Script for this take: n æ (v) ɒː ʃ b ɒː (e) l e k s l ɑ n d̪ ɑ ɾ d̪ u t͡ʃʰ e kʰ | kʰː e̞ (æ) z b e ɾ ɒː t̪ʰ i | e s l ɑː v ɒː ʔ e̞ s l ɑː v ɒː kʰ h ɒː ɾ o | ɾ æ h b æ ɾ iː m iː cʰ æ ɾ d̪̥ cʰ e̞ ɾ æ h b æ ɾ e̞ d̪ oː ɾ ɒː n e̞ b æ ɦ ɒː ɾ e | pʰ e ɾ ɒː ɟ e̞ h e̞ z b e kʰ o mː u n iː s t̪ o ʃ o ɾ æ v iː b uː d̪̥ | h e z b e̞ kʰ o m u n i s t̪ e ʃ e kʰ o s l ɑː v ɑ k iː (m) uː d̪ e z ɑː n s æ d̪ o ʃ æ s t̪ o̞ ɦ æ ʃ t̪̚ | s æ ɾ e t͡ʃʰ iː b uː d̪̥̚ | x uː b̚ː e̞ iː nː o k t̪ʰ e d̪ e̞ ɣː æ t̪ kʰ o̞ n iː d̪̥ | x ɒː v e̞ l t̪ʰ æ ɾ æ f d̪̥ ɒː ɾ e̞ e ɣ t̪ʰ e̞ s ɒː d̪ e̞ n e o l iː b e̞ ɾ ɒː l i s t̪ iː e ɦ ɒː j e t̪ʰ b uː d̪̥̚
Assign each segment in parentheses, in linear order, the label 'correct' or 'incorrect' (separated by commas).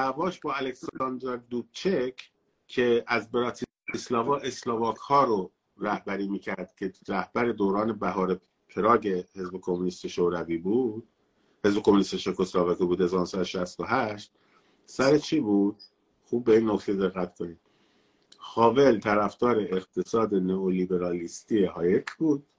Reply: correct, incorrect, correct, incorrect